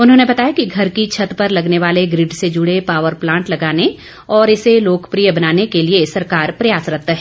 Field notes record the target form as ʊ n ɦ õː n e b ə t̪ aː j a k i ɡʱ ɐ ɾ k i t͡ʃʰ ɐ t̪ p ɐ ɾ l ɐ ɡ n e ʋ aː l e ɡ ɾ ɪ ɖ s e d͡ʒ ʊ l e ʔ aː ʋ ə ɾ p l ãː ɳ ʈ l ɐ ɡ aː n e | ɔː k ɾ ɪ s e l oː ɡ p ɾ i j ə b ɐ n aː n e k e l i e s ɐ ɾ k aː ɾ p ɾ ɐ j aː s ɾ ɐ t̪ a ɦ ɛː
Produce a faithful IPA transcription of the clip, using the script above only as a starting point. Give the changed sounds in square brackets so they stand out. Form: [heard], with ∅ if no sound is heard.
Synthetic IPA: ʊ n ɦ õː n e b [ɐ] t̪ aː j a k i ɡʱ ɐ ɾ k i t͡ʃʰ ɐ t̪ p ɐ ɾ l ɐ ɡ n e ʋ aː l e ɡ ɾ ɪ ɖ s e d͡ʒ ʊ [ɽ] e [p] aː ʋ ə ɾ p l ãː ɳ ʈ l ɐ ɡ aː n e | ɔː [∅] ɾ ɪ s e l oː [k] p ɾ i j ə b ɐ n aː n e k e l i e s ɐ ɾ k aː ɾ p ɾ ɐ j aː s ɾ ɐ t̪ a ɦ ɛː